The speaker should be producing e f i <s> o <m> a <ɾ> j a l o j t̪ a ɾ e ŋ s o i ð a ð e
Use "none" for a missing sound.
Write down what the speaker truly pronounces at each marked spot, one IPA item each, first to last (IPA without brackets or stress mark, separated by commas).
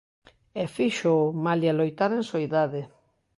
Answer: ʃ, m, l